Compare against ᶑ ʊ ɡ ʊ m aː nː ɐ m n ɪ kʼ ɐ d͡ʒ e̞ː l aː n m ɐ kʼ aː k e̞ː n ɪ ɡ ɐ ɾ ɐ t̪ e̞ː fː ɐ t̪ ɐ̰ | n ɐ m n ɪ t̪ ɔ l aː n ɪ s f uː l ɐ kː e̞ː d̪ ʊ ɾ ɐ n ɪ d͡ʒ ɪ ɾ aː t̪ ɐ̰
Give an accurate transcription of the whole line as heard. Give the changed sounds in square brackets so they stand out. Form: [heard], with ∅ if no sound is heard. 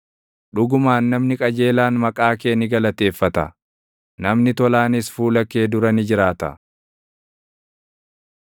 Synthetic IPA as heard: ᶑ ʊ ɡ ʊ m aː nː ɐ m n ɪ kʼ ɐ d͡ʒ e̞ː l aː n m ɐ kʼ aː k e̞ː n ɪ ɡ ɐ [l] ɐ t̪ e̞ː fː ɐ t̪ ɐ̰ | n ɐ m n ɪ t̪ ɔ l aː n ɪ s f uː l ɐ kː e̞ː d̪ ʊ ɾ ɐ n ɪ d͡ʒ ɪ ɾ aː t̪ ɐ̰